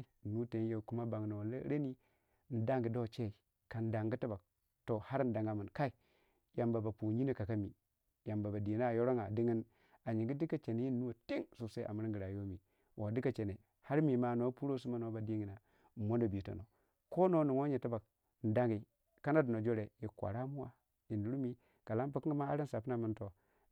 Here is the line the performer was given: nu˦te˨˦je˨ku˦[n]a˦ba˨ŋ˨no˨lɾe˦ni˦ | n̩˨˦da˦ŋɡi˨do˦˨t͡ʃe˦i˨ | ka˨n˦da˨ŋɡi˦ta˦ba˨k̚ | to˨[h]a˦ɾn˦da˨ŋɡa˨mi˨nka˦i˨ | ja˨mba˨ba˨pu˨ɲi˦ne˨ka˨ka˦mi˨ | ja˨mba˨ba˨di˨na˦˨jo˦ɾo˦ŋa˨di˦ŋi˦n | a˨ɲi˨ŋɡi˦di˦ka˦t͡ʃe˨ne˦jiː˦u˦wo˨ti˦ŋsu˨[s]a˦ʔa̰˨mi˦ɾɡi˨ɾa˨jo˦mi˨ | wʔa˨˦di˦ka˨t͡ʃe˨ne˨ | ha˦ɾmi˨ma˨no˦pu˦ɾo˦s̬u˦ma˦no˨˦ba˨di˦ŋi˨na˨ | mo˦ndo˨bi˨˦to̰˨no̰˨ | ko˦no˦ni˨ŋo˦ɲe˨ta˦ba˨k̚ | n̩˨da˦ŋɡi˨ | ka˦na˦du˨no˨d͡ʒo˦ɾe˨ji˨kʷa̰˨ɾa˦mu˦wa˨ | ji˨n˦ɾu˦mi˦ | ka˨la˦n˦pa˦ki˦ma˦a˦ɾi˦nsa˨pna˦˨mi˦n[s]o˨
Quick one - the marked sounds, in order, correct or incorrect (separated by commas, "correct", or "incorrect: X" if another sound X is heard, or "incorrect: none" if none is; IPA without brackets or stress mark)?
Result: incorrect: m, correct, correct, incorrect: t